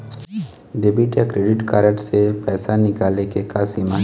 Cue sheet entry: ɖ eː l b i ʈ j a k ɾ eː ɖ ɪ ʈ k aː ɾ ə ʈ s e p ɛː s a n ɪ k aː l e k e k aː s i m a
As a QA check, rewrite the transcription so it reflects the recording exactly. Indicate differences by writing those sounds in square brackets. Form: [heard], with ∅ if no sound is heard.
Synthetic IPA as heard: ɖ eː [∅] b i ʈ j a k ɾ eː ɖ ɪ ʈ k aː ɾ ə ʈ s e p ɛː s a n ɪ k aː l e k e k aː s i m a